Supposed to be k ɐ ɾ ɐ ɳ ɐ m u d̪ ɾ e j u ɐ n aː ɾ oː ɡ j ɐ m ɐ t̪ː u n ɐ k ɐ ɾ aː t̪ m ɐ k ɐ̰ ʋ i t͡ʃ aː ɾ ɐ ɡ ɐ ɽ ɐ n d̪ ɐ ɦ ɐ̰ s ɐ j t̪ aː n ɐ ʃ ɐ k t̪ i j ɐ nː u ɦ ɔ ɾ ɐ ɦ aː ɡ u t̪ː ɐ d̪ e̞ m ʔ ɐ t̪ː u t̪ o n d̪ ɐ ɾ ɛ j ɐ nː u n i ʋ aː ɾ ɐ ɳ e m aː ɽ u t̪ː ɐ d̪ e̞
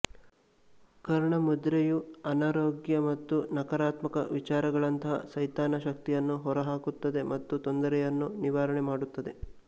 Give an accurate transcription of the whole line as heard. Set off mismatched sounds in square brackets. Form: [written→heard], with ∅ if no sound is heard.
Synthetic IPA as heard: k ɐ ɾ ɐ ɳ ɐ m u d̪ ɾ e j u ɐ n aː ɾ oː ɡ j ɐ m ɐ t̪ː u n ɐ k ɐ ɾ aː t̪ m ɐ k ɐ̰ ʋ i t͡ʃ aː ɾ ɐ ɡ ɐ [ɽ→ɭ] ɐ n [d̪→t̪] ɐ ɦ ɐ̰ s ɐ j t̪ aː n ɐ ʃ ɐ k t̪ i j ɐ nː u ɦ ɔ ɾ ɐ ɦ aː [ɡ→k] u t̪ː ɐ d̪ e̞ m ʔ ɐ t̪ː u t̪ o n d̪ ɐ ɾ ɛ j ɐ nː u n i ʋ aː ɾ ɐ ɳ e m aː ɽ u t̪ː ɐ d̪ e̞